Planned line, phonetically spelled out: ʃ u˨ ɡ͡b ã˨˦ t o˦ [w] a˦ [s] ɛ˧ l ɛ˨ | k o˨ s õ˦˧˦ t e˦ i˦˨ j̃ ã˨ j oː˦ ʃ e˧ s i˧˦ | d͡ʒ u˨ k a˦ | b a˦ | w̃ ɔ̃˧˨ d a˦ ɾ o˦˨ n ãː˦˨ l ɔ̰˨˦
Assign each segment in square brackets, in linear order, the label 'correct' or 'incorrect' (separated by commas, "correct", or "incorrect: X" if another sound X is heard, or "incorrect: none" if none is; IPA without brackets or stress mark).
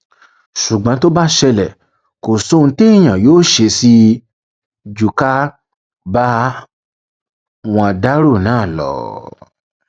incorrect: b, incorrect: ʃ